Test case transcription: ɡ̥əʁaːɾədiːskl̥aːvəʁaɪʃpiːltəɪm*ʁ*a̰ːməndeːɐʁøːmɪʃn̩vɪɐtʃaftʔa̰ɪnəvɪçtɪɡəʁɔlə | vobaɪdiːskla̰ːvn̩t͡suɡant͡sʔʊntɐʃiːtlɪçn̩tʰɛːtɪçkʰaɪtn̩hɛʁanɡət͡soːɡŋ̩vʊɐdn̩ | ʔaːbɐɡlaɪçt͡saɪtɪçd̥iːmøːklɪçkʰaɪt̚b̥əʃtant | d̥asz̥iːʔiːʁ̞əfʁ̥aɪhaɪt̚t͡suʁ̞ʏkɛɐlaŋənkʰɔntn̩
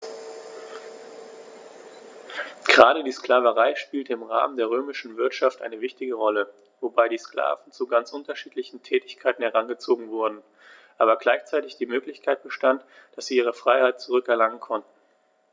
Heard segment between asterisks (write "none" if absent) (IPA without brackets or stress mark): ʁ